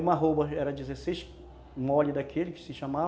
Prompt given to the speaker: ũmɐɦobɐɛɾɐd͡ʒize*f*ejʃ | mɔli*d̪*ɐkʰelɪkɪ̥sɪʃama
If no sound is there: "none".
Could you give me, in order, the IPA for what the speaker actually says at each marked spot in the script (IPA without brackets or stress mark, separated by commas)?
s, d̪